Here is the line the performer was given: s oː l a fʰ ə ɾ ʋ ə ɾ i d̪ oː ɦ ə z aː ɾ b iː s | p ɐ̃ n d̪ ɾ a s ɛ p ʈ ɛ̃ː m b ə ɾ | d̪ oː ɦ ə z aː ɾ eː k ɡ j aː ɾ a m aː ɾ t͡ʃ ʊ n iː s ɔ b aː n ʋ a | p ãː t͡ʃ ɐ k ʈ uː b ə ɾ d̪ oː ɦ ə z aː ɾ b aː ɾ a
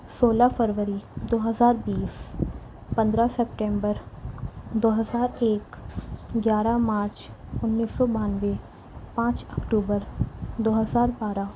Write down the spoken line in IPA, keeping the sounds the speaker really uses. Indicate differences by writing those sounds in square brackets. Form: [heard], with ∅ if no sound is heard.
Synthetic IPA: s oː l a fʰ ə ɾ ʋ ə ɾ i d̪ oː ɦ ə z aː ɾ b iː s | p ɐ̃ n d̪ ɾ a s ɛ p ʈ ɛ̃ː m b ə ɾ | d̪ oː ɦ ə z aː ɾ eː k ɡ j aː ɾ a m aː ɾ t͡ʃ ʊ [nː] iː s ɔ b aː n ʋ [e] | p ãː t͡ʃ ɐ k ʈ uː b ə ɾ d̪ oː ɦ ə z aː ɾ b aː ɾ a